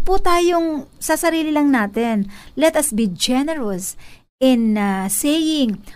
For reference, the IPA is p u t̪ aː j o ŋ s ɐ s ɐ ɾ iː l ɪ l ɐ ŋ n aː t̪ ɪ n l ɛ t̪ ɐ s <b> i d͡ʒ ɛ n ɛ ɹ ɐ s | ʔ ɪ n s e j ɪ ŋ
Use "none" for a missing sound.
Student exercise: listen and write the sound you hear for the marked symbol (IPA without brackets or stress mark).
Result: b